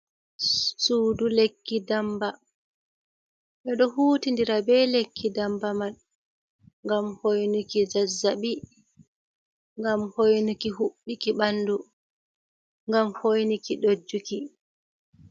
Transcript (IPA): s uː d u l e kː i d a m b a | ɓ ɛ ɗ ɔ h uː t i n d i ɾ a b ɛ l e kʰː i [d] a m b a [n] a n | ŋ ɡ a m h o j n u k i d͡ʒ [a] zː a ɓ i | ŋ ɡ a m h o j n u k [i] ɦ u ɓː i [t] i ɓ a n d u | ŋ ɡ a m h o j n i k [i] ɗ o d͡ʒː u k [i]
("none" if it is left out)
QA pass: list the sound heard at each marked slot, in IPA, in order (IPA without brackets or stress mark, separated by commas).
d, m, a, i, k, i, i